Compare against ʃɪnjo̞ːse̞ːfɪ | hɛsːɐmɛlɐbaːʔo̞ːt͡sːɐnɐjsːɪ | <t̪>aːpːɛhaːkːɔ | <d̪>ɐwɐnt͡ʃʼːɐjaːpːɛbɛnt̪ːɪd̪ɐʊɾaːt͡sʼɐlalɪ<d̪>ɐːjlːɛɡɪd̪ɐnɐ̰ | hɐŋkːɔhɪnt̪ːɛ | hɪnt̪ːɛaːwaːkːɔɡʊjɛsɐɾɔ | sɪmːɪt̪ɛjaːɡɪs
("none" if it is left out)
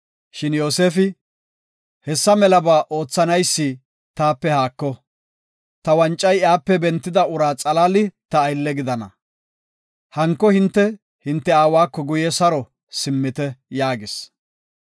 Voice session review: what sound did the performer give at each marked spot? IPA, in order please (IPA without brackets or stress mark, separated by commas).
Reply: t̪, t̪, t̪